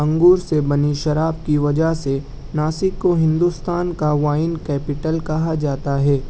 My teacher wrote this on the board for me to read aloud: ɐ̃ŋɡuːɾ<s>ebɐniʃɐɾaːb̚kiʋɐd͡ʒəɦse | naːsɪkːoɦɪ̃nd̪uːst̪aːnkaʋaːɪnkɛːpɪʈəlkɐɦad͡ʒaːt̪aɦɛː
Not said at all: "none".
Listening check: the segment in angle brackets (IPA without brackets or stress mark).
s